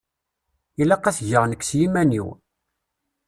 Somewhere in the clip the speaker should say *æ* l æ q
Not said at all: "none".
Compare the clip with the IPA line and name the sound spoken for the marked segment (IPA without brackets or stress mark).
i